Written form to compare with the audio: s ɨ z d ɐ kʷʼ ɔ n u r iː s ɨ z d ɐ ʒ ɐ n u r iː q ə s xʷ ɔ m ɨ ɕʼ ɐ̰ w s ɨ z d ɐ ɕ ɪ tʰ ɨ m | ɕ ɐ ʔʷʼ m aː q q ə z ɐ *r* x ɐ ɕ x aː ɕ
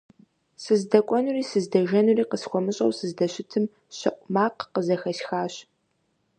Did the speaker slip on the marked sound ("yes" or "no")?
yes